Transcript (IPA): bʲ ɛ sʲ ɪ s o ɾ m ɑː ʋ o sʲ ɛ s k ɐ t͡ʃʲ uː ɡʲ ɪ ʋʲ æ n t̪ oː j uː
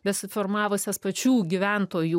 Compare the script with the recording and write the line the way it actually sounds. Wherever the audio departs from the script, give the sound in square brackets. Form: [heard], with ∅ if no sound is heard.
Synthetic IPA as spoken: bʲ ɛ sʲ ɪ [f] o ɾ m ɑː ʋ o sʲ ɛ s [p] ɐ t͡ʃʲ uː ɡʲ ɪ ʋʲ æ n t̪ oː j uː